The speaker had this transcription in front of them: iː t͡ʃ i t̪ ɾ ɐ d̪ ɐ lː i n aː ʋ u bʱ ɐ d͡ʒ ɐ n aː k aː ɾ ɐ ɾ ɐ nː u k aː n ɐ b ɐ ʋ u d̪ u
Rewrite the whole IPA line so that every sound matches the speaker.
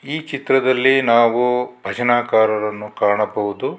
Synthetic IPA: iː t͡ʃ i t̪ ɾ ɐ d̪ ɐ lː i n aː ʋ u bʱ ɐ d͡ʒ ɐ n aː k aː ɾ ɐ ɾ ɐ nː u k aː ɳ ɐ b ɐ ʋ u d̪ u